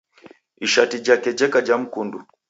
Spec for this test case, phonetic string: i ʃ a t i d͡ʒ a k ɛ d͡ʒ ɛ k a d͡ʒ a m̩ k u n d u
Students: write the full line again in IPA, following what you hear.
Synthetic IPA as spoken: i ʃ a t i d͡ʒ a k ɛ d͡ʒ ɛ k a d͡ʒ a m̩ k u n d u